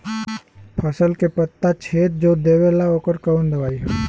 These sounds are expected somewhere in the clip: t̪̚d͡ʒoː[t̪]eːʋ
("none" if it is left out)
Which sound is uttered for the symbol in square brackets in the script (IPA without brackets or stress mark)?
d̪